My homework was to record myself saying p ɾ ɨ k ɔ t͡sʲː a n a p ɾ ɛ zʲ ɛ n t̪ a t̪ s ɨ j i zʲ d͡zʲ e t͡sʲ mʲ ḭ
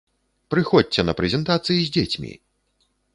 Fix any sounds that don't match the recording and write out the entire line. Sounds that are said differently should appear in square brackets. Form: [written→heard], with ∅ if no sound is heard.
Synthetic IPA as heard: p ɾ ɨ [k→x] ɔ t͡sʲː [a→ɛ] n [a→ɐ] p ɾ ɛ zʲ ɛ n t̪ a t̪ s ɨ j i zʲ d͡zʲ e t͡sʲ mʲ ḭ